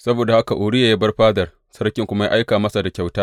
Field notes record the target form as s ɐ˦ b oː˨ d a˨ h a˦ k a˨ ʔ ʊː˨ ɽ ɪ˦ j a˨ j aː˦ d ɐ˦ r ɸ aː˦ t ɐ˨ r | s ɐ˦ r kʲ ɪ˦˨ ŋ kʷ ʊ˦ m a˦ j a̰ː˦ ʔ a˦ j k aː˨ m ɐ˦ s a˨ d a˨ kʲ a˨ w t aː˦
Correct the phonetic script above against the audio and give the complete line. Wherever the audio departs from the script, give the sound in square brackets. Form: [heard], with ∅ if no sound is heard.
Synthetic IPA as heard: s ɐ˦ b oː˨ d a˨ h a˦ k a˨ ʔ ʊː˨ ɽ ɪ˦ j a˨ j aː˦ [b] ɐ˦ r ɸ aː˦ [d] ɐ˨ r | s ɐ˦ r kʲ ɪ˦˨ ŋ kʷ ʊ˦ m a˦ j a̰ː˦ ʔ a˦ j k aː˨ m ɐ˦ s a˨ d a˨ kʲ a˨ w t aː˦